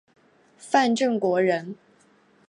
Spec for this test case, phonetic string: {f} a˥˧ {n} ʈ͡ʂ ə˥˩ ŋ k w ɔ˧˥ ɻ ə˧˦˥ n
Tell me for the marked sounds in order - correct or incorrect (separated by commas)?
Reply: correct, correct